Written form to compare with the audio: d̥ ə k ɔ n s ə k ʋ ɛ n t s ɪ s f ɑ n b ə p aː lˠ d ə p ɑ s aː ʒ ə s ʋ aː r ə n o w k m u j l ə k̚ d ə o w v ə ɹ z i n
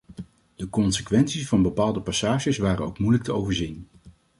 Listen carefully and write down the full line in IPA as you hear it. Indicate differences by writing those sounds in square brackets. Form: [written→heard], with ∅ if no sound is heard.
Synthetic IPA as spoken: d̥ ə k ɔ n s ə k ʋ ɛ n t s [ɪ→i] s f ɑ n b ə p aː lˠ d ə p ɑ s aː ʒ ə s ʋ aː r ə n o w k m u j l ə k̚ [d→t] ə o w v ə ɹ z i n